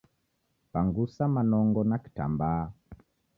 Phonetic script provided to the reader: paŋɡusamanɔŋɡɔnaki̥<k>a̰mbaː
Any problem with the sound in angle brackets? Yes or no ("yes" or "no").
yes